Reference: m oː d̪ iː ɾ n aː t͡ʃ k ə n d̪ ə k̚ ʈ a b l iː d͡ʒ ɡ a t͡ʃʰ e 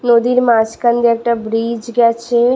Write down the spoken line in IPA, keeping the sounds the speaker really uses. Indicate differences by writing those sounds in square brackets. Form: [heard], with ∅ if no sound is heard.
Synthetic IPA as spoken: [n] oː d̪ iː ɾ [m] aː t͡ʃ k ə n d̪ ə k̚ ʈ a b [ɾ] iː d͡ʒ ɡ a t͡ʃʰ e